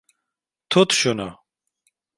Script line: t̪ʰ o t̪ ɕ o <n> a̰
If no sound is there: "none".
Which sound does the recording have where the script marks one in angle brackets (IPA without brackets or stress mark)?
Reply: n